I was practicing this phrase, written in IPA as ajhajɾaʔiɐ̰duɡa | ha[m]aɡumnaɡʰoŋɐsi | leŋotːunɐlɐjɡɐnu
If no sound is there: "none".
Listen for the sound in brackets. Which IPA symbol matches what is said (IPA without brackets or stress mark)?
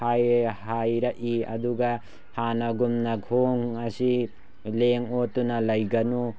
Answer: n